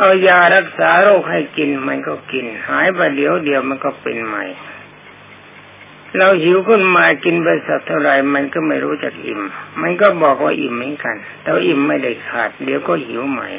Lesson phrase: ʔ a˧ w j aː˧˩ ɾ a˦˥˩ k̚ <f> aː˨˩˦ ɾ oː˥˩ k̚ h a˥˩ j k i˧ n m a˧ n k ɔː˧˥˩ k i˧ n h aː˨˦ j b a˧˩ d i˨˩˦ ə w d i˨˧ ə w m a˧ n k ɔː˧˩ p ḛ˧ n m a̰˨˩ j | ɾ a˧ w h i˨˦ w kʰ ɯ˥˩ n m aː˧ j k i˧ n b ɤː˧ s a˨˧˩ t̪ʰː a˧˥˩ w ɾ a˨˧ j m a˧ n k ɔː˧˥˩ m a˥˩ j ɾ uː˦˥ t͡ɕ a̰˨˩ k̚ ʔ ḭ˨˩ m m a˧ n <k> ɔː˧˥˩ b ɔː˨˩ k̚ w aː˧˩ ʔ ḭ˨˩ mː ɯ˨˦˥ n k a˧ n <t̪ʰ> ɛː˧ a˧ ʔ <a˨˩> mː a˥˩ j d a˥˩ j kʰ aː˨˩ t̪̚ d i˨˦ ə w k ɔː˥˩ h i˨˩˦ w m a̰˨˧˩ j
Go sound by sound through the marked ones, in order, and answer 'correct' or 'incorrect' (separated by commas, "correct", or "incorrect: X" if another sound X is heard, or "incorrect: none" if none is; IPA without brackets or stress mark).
incorrect: s, correct, incorrect: t̪, incorrect: i˨˩